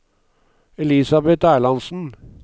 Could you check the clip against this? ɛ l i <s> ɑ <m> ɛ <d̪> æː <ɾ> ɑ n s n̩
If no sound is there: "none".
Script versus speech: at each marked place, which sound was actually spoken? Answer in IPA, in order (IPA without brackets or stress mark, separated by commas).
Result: s, b, t̪, ɭ